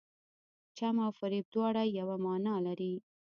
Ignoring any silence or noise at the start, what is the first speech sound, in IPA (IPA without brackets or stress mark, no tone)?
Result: t͡ʃ